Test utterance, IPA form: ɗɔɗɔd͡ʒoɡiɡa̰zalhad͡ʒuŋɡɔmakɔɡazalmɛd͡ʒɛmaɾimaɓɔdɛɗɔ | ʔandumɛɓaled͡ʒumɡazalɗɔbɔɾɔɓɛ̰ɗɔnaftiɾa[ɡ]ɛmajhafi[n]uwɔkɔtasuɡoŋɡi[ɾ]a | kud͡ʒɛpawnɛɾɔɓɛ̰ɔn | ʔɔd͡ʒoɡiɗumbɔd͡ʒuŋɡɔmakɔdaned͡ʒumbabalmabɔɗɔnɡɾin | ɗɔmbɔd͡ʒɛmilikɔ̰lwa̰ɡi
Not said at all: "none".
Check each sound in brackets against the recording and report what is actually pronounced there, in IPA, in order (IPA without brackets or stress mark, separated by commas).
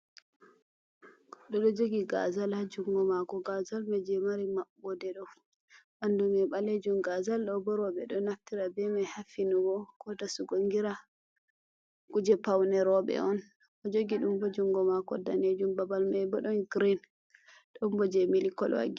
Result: b, n, ɾ